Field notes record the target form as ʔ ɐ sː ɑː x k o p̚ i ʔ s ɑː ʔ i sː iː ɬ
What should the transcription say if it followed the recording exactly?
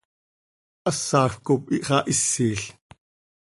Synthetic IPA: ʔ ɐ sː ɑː x k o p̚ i ʔ χ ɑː ʔ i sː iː ɬ